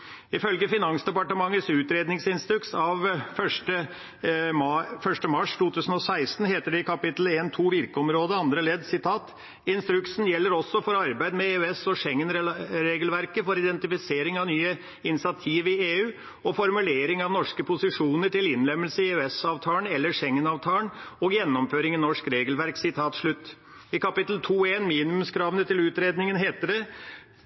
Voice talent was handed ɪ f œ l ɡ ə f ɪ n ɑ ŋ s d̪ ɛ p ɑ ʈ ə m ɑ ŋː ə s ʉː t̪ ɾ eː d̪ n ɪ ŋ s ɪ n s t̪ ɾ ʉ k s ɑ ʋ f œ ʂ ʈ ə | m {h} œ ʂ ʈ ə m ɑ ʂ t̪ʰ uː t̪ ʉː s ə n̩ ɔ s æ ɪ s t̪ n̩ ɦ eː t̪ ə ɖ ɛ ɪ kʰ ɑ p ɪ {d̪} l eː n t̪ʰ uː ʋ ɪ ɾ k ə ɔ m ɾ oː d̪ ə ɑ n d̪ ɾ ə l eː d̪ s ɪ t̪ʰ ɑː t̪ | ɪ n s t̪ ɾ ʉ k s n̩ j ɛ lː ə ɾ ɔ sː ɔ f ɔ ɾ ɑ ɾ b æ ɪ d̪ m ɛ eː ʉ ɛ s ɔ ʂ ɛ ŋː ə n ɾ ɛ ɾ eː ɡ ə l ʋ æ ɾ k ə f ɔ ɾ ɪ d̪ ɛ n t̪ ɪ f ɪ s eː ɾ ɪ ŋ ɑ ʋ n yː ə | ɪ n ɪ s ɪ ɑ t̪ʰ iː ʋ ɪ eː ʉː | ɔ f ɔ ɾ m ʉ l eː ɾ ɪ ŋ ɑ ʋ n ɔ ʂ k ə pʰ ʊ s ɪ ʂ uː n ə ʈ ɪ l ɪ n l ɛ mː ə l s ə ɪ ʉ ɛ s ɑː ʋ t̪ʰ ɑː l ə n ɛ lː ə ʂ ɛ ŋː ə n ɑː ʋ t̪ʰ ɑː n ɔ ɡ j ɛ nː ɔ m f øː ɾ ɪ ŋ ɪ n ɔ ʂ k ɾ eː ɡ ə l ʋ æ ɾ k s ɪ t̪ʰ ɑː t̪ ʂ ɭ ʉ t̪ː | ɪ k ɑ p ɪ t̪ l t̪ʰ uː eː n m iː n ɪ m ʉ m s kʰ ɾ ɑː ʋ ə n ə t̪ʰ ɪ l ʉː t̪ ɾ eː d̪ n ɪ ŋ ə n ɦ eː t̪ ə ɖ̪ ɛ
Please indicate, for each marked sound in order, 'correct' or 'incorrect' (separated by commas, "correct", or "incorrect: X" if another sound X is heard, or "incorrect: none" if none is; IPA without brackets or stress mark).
incorrect: f, incorrect: t̪